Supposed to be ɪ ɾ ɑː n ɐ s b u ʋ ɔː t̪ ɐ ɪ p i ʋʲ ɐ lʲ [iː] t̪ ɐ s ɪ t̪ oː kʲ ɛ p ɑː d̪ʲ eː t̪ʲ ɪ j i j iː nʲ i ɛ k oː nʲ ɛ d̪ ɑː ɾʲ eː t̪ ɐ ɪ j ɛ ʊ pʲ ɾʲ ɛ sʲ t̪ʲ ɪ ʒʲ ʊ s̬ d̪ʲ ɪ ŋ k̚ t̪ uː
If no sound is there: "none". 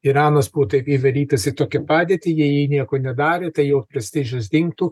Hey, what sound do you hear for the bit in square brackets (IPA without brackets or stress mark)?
iː